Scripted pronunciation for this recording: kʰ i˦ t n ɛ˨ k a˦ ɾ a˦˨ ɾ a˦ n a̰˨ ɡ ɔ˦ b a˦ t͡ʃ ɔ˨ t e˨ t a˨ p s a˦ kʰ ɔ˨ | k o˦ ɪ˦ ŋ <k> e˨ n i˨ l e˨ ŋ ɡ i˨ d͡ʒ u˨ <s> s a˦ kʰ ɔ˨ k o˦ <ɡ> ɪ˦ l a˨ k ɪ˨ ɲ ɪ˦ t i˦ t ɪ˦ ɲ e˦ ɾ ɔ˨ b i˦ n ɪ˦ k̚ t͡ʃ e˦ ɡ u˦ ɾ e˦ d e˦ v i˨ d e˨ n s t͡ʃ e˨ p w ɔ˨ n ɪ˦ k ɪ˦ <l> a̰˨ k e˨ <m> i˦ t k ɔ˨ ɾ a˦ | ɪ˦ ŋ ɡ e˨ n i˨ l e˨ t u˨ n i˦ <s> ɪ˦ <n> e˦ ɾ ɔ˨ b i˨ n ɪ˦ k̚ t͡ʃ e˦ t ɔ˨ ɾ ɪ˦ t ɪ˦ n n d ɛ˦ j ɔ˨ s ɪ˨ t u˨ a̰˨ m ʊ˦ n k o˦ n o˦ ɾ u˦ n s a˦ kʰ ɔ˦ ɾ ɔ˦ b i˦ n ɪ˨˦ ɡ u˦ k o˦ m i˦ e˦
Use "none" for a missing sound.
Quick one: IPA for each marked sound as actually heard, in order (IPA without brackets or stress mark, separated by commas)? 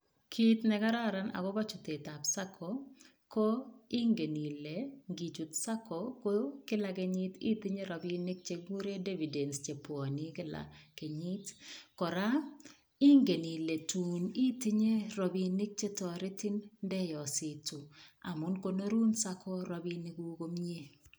ɡ, t, k, l, ɲ, t, ɲ